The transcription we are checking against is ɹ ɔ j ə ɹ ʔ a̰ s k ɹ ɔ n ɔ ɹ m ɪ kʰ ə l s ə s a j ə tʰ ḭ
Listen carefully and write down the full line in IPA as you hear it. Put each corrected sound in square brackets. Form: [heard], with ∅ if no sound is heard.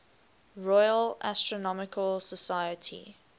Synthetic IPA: ɹ ɔ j ə [l] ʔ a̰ s [t] ɹ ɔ n ɔ [∅] m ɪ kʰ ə l s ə s a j ə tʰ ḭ